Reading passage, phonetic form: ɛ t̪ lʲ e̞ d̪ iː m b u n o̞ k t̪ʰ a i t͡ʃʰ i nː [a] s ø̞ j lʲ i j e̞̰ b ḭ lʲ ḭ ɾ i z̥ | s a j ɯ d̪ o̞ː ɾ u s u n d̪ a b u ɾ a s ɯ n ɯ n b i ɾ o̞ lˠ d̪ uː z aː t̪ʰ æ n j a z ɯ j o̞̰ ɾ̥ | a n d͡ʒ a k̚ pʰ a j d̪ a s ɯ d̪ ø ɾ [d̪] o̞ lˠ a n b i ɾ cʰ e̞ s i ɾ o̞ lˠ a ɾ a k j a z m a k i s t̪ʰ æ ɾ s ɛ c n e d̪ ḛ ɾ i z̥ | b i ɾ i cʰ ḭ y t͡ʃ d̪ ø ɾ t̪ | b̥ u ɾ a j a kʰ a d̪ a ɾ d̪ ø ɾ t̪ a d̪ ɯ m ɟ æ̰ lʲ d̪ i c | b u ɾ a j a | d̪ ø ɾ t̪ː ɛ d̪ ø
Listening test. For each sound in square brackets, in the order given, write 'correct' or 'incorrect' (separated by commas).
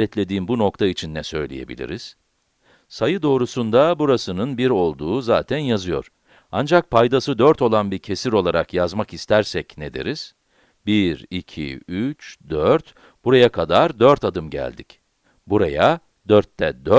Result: incorrect, incorrect